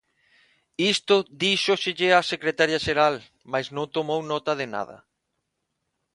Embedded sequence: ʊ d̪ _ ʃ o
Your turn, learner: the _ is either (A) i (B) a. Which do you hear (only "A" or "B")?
A